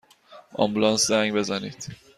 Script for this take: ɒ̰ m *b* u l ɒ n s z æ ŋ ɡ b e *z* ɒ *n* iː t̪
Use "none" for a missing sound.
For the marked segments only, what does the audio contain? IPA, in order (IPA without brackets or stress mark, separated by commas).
b, z, n